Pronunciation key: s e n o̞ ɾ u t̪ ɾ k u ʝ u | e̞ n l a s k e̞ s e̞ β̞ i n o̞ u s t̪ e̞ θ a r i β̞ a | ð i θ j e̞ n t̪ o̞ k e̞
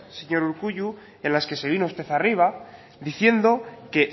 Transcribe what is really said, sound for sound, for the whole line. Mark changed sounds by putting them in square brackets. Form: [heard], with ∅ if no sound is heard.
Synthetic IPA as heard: s e [ɲ] o̞ ɾ u [∅] ɾ k u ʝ u | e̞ n l a s k e̞ s e̞ β̞ i n o̞ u s t̪ e̞ θ a r i β̞ a | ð i θ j e̞ n [d̪] o̞ k e̞